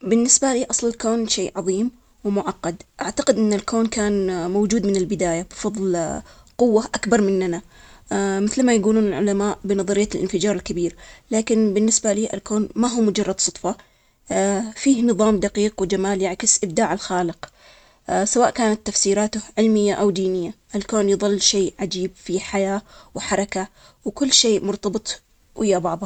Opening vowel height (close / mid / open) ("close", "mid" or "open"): close